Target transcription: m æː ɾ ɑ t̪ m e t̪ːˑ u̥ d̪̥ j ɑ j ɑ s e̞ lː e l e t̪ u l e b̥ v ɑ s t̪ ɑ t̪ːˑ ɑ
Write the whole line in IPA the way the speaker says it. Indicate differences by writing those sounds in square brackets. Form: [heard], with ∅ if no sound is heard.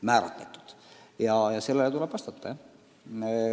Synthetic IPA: m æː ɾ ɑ t̪ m e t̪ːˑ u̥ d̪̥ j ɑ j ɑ s e̞ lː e l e t̪ u l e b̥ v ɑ s t̪ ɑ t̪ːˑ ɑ